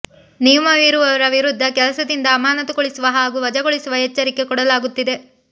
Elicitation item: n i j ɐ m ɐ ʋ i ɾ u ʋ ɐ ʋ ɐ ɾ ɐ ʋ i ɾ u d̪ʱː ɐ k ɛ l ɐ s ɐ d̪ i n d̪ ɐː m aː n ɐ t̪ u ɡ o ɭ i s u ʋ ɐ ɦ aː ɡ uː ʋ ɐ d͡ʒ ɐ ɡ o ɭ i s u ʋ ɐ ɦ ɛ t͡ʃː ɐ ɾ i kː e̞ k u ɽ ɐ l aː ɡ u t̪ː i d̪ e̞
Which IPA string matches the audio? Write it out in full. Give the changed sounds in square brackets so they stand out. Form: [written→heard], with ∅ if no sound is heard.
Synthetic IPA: n i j ɐ m ɐ ʋ i ɾ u ʋ ɐ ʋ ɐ ɾ ɐ ʋ i ɾ u d̪ʱː ɐ k ɛ l ɐ s ɐ d̪ i n d̪ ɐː m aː n ɐ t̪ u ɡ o ɭ i s u ʋ ɐ ɦ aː ɡ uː ʋ ɐ d͡ʒ ɐ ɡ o ɭ i s u ʋ ɐ ɦ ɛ t͡ʃː ɐ ɾ i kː e̞ k [u→ɔ] ɽ ɐ l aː ɡ u t̪ː i d̪ e̞